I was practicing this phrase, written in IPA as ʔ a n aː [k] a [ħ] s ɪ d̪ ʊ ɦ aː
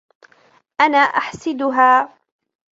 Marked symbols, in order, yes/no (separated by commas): no, yes